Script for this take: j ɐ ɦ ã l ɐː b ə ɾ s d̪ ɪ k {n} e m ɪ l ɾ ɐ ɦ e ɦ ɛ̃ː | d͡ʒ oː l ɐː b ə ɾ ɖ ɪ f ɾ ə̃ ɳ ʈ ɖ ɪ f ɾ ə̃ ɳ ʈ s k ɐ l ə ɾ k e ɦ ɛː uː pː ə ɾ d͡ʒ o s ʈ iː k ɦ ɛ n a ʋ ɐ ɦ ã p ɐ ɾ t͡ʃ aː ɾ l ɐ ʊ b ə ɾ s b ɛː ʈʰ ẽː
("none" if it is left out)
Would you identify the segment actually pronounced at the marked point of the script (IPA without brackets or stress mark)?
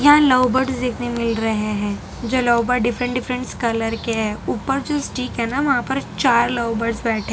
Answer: n